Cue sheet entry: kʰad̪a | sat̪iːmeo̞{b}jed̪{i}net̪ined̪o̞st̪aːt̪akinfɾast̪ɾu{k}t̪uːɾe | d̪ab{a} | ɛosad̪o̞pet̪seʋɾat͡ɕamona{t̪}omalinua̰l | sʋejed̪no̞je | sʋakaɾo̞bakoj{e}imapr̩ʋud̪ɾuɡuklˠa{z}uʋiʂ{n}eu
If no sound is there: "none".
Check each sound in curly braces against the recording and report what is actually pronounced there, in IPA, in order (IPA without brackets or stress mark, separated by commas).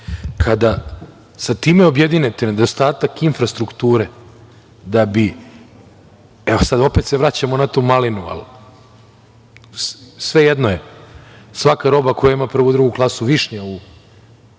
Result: b, i, k, i, t̪, a, s, ɲ